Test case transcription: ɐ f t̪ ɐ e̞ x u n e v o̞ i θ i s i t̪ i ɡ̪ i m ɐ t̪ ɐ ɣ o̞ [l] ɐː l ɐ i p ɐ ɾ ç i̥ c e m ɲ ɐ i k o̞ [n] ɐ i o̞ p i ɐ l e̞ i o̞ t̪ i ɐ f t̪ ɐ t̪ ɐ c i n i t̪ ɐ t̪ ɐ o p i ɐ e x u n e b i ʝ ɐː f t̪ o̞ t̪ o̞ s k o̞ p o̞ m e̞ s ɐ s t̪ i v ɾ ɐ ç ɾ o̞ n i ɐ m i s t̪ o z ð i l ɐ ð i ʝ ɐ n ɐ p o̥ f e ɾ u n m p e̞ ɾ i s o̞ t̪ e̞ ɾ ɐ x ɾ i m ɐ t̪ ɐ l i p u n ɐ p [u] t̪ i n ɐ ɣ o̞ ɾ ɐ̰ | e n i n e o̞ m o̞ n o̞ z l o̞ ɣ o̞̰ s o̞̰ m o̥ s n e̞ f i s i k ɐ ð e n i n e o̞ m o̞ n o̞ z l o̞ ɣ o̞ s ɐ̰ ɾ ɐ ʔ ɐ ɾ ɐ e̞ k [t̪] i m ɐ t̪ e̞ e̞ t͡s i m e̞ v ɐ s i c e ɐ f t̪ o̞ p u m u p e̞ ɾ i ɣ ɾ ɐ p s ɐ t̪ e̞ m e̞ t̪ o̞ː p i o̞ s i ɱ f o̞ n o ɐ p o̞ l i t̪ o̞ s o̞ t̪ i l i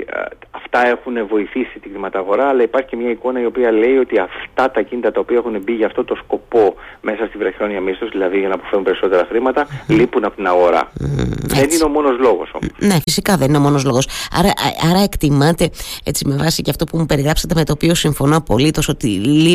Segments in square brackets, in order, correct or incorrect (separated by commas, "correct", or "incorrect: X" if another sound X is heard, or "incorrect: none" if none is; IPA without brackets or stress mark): incorrect: ɾ, correct, incorrect: o, correct